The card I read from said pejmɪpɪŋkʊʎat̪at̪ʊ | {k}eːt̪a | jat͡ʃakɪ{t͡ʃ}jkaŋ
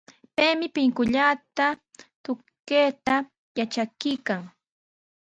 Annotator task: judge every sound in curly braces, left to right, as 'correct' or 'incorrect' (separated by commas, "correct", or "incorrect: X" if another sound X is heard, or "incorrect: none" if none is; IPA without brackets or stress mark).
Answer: correct, incorrect: none